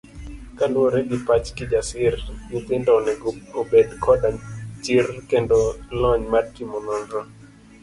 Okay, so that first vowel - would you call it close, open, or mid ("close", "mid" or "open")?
open